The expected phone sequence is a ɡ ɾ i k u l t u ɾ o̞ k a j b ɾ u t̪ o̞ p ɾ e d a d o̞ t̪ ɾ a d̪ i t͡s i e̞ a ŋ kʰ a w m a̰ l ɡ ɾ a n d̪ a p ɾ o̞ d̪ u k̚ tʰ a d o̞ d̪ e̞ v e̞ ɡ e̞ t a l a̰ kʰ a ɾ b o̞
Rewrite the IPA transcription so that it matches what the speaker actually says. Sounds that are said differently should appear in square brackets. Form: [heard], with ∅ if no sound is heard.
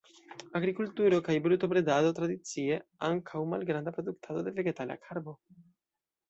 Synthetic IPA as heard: a ɡ ɾ i k u l t u ɾ o̞ k a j b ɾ u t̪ o̞ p ɾ e d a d o̞ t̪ ɾ a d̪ i t͡s i e̞ a ŋ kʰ a w m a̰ l ɡ ɾ a n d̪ a p ɾ o̞ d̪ u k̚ tʰ a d o̞ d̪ e̞ v e̞ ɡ e̞ t a l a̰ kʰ a ɾ b o̞